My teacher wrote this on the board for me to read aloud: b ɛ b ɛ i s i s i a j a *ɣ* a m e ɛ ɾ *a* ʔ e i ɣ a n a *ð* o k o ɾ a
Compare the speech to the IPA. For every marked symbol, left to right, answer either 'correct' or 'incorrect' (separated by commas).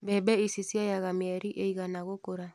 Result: correct, incorrect, incorrect